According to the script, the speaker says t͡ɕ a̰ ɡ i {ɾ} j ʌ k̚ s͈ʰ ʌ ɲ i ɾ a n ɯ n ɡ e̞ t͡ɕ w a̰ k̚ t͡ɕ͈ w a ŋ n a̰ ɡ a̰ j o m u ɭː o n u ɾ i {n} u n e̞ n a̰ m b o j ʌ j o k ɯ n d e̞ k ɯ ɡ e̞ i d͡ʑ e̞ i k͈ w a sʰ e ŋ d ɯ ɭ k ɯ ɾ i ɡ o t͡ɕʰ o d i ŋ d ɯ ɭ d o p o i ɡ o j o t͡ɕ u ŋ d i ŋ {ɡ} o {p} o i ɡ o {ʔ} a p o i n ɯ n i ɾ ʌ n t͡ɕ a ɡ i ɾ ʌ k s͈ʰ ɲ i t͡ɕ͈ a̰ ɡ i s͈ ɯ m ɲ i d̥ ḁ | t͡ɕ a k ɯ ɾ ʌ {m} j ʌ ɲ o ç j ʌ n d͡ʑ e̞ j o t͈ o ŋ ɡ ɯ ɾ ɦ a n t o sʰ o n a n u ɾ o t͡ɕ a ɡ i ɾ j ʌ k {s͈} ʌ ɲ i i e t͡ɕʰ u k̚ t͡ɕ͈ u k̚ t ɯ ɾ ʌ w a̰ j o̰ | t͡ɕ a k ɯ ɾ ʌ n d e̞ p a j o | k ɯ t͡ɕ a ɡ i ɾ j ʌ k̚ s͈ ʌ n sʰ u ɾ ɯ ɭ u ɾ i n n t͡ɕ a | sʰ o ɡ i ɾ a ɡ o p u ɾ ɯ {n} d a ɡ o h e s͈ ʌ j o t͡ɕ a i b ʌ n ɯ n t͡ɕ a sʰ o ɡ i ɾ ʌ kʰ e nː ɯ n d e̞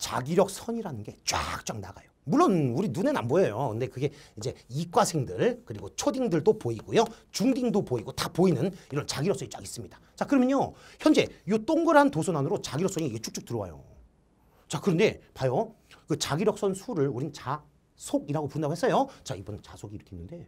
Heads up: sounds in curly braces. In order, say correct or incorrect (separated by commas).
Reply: correct, correct, incorrect, correct, incorrect, correct, correct, correct